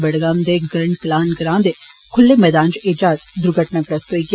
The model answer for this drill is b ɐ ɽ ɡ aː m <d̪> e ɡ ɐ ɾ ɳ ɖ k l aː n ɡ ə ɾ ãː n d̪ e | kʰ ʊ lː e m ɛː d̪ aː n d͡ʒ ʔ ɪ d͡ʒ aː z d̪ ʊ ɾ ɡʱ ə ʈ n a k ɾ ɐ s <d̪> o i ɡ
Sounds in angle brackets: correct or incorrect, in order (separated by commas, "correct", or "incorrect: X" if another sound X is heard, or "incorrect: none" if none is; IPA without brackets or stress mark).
correct, incorrect: t̪